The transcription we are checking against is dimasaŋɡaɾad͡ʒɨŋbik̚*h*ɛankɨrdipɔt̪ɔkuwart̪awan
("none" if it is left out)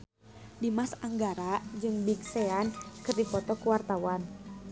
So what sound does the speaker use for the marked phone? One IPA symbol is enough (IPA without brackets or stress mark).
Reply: s